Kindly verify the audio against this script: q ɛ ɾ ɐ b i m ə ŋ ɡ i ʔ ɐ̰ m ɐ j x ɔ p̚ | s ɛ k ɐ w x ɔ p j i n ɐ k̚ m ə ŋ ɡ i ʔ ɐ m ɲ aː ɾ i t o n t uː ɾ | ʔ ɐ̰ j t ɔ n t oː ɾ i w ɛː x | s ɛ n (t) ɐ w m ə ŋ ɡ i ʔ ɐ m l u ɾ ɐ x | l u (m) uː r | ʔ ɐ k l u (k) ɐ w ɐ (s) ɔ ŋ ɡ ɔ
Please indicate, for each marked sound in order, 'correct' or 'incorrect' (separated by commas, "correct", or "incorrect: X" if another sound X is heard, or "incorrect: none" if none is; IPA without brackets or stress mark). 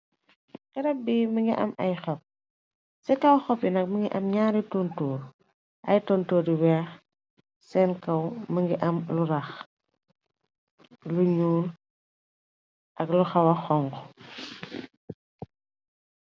incorrect: k, incorrect: ɲ, incorrect: x, incorrect: x